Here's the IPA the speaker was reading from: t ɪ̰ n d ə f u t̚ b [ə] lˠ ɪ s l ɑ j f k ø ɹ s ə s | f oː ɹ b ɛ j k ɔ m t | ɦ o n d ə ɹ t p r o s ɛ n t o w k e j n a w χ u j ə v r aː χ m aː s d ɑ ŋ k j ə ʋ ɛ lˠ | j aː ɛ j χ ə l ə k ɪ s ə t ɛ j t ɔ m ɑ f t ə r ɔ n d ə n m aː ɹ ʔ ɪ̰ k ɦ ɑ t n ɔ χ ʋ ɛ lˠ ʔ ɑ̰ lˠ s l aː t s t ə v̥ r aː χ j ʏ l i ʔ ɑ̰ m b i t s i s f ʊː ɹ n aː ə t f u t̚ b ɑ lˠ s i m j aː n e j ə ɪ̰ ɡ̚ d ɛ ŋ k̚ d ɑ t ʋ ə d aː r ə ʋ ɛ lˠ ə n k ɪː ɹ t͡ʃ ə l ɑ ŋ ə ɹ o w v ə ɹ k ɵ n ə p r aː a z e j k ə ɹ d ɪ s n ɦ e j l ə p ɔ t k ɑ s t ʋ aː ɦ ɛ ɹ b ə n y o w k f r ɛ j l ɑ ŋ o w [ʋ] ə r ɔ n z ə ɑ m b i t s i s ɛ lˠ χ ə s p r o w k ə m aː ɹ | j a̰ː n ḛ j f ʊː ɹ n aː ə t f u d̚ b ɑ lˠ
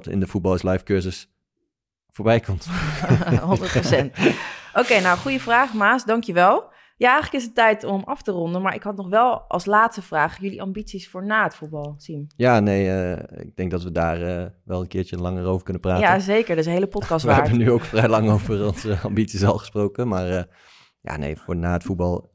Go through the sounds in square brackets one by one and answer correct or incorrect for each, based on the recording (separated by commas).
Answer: incorrect, incorrect